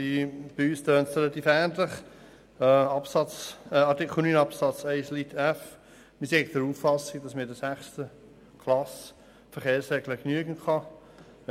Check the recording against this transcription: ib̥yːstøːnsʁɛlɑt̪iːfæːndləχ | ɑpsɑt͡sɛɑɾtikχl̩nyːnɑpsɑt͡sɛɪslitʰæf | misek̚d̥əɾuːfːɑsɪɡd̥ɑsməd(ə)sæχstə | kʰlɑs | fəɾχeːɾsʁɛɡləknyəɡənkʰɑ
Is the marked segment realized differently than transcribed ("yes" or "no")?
no